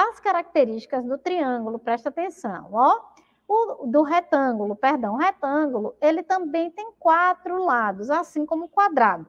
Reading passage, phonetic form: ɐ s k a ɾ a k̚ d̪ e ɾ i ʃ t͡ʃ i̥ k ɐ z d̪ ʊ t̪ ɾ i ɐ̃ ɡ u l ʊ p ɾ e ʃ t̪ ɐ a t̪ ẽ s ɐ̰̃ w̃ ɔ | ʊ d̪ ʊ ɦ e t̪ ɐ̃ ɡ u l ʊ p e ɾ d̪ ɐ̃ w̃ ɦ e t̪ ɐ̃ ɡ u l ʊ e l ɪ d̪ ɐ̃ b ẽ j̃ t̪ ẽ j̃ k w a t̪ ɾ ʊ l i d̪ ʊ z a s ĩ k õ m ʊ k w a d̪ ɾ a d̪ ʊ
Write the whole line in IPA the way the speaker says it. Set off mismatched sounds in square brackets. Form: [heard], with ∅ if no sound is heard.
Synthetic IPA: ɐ s k a ɾ a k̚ [t̪] e ɾ i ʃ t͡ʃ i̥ k ɐ z d̪ ʊ t̪ ɾ i ɐ̃ ɡ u l ʊ p ɾ [ɛ] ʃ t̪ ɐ a t̪ ẽ s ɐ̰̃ w̃ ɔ | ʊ d̪ ʊ ɦ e t̪ ɐ̃ ɡ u l ʊ p e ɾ d̪ ɐ̃ w̃ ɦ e t̪ ɐ̃ ɡ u l ʊ e l ɪ [t̪] ɐ̃ b ẽ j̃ t̪ ẽ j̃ k w a t̪ ɾ ʊ l [a] d̪ ʊ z a s ĩ k õ m ʊ k w a d̪ ɾ a d̪ ʊ